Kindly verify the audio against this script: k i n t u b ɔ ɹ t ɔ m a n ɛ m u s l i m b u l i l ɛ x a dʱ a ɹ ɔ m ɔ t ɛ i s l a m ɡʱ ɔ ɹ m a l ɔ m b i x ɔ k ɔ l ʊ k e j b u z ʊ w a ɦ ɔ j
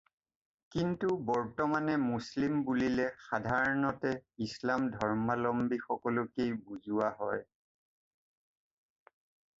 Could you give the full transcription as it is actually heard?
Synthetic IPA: k i n t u b ɔ ɹ t ɔ m a n ɛ m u s l i m b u l i l ɛ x a dʱ a ɹ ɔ n ɔ t ɛ i s l a m dʱ ɔ ɹ m a l ɔ m b i x ɔ k ɔ l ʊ k e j b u z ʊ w a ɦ ɔ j

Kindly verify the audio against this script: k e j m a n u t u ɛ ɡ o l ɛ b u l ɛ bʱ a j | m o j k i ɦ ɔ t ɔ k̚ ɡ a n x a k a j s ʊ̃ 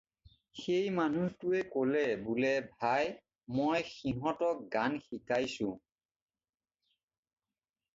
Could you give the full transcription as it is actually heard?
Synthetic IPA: x e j m a n u t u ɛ k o l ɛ b u l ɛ bʱ a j | m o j x i ɦ ɔ t ɔ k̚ ɡ a n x i k a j s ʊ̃

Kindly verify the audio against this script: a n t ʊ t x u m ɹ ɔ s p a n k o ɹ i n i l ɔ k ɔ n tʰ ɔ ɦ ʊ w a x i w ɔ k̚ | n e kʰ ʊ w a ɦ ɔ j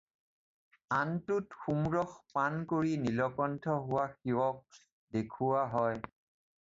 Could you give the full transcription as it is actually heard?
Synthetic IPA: a n t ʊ t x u m ɹ ɔ x p a n k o ɹ i n i l ɔ k ɔ n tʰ ɔ ɦ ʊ w a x i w ɔ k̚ | d e kʰ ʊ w a ɦ ɔ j

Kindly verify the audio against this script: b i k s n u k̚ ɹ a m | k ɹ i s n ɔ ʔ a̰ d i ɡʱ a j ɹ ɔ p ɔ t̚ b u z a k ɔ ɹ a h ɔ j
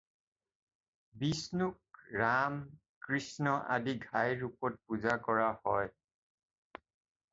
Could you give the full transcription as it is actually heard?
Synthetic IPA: b i s n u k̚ ɹ a m | k ɹ i s n ɔ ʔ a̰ d i ɡʱ a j ɹ u p ɔ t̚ p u z a k ɔ ɹ a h ɔ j

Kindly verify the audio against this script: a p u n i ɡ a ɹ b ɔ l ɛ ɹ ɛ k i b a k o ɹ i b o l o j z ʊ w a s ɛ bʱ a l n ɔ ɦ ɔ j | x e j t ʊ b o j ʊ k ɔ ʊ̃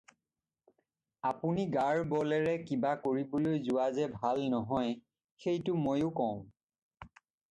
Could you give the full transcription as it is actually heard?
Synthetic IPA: a p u n i ɡ a ɹ b ɔ l ɛ ɹ ɛ k i b a k o ɹ i b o l o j z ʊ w a z ɛ bʱ a l n ɔ ɦ ɔ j | x e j t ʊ m o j ʊ k ɔ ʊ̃

